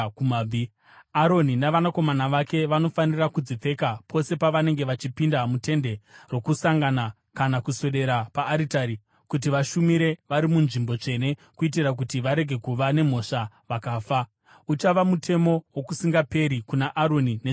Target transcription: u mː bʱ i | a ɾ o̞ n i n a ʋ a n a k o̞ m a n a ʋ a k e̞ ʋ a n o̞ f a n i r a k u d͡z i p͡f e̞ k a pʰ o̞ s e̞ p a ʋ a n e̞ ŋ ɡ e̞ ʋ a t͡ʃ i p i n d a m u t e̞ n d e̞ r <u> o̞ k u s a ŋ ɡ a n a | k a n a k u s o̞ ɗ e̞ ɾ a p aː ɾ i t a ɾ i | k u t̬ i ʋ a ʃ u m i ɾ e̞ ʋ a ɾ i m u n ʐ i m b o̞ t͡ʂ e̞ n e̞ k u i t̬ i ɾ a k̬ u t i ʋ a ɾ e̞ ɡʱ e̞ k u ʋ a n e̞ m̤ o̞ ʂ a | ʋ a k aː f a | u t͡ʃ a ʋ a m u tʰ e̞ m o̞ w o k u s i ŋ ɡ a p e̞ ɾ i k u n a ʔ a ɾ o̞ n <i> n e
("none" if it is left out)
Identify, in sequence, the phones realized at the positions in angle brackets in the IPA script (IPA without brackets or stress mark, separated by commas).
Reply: w, i